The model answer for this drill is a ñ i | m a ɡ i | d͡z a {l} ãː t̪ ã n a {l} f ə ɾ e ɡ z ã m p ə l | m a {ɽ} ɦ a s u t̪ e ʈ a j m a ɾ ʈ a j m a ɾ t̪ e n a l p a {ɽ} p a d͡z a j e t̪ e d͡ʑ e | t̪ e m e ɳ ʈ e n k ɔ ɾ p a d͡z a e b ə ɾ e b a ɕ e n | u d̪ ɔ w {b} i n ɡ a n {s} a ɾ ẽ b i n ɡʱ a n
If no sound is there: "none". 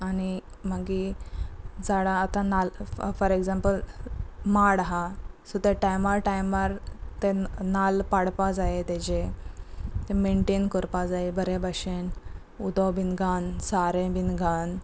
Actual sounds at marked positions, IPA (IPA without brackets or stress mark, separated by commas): ɽ, l, ɽ, ɽ, b, s